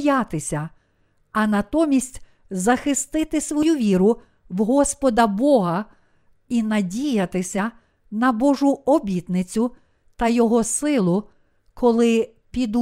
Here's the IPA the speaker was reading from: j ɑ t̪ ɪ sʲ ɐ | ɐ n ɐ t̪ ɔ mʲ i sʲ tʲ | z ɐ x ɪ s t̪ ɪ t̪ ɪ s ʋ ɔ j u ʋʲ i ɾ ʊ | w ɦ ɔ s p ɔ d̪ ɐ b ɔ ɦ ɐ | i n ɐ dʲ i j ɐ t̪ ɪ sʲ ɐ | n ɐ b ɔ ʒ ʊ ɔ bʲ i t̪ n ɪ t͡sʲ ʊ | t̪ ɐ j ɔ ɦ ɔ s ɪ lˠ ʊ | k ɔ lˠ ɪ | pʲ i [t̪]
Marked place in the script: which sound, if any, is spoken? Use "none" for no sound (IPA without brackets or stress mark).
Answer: d̪